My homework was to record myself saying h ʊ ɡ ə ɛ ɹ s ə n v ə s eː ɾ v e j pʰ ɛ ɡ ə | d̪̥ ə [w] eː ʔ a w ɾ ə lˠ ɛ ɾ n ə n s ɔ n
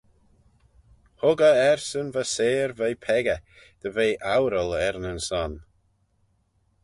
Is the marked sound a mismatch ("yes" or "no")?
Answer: yes